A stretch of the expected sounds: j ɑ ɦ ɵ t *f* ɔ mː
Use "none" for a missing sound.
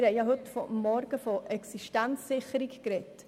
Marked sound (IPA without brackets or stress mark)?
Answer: f